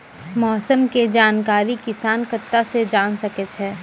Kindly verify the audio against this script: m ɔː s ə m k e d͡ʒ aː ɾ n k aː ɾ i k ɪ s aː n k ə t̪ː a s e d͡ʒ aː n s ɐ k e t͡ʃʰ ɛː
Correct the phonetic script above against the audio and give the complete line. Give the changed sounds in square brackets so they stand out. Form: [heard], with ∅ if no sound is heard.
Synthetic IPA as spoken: m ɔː s ə m k e d͡ʒ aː [∅] n k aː ɾ i k ɪ s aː n k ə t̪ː a s e d͡ʒ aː n s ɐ k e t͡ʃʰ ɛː